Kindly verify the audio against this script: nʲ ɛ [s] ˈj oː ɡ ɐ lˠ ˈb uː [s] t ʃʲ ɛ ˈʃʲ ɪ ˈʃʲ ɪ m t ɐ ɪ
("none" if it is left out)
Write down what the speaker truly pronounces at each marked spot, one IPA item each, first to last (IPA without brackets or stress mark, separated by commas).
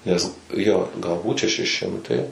s, none